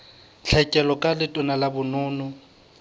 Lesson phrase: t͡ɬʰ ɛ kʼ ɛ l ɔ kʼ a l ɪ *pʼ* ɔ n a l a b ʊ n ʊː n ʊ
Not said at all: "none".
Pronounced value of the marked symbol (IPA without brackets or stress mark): tʼ